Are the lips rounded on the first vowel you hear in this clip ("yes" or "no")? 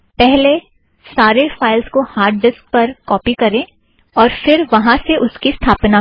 no